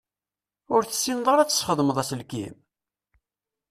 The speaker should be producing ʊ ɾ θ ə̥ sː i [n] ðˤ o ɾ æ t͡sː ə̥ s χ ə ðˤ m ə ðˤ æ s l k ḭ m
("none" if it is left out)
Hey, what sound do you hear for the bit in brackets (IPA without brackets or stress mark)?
n